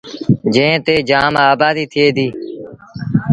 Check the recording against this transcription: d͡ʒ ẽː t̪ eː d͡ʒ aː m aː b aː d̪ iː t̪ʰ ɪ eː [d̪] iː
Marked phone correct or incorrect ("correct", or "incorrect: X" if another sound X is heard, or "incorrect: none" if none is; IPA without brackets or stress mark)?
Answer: correct